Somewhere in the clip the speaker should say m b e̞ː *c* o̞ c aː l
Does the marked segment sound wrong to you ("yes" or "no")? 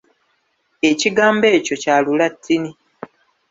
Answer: no